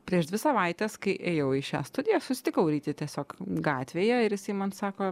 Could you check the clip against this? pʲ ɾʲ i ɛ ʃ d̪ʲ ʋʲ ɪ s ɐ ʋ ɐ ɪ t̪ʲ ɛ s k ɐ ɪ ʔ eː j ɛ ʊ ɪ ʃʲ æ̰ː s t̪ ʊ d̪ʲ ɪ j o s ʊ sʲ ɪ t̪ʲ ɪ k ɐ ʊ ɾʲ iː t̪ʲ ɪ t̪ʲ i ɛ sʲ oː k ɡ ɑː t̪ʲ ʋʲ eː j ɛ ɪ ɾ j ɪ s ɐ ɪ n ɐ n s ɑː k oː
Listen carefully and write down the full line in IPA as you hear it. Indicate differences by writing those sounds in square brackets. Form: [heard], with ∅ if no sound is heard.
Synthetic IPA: pʲ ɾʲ i ɛ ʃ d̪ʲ ʋʲ ɪ s ɐ ʋ ɐ ɪ t̪ʲ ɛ s k ɐ ɪ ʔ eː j ɛ ʊ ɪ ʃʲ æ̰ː s t̪ ʊ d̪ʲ ɪ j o s ʊ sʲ ɪ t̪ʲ ɪ k ɐ ʊ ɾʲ iː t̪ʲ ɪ t̪ʲ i ɛ sʲ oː k ɡ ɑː t̪ʲ ʋʲ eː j ɛ ɪ ɾ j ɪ s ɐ ɪ [m] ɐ n s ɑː k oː